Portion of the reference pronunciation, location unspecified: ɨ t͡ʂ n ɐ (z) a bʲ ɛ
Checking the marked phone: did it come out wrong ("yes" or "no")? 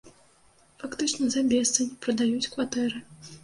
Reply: no